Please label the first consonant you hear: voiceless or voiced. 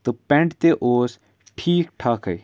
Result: voiceless